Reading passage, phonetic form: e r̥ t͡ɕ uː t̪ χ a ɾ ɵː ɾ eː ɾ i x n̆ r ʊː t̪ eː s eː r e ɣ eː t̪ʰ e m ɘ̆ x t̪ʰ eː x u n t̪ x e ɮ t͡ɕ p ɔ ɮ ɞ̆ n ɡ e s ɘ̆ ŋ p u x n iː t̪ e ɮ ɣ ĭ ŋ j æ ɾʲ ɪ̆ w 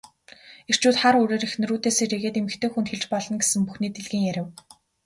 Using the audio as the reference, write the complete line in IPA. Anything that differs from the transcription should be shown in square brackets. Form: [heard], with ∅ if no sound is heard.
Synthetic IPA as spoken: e r̥ t͡ɕ uː t̪ χ a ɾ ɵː ɾ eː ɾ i x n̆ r [uː] t̪ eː s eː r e ɣ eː [t̪] e m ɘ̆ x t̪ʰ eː x u n t̪ x e ɮ t͡ɕ p ɔ ɮ ɞ̆ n ɡ e s ɘ̆ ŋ p u x n iː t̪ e ɮ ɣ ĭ ŋ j æ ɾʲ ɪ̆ w